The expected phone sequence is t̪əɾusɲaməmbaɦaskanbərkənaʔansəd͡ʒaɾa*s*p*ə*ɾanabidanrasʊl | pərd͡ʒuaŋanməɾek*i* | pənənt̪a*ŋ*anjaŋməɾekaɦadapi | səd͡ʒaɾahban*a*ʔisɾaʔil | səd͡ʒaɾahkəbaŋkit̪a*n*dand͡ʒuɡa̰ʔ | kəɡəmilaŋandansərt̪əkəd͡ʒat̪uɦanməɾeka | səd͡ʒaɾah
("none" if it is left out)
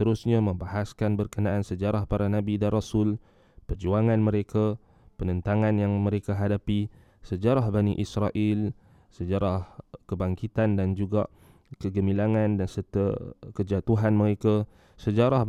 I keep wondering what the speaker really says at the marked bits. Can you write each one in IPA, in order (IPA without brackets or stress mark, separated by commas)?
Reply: h, a, a, ŋ, i, n